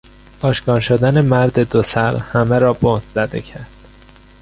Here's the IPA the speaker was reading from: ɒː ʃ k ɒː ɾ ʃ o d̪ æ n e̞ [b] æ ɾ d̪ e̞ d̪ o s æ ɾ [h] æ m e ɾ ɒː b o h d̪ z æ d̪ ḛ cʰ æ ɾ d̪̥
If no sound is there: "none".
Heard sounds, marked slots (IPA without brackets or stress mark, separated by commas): m, h